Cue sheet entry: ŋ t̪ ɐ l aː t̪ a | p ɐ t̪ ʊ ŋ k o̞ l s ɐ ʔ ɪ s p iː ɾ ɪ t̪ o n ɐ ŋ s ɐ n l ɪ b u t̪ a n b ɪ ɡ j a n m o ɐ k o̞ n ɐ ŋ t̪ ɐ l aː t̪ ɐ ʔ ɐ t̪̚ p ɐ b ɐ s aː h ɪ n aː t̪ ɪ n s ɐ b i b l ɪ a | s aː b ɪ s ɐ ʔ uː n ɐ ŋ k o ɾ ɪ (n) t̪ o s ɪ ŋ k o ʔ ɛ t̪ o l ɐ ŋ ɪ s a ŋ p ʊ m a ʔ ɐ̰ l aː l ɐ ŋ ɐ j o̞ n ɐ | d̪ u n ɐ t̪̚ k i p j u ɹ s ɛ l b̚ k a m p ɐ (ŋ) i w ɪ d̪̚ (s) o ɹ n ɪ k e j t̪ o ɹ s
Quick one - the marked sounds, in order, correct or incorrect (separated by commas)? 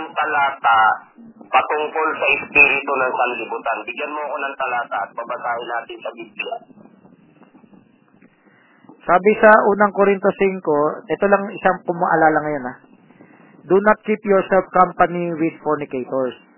correct, incorrect, incorrect